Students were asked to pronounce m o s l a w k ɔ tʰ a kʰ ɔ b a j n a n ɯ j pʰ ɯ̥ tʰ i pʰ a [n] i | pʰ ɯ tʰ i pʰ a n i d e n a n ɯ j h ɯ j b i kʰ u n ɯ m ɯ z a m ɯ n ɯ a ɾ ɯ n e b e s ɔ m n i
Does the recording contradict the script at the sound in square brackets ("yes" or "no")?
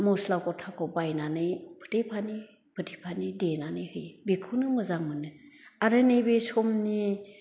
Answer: no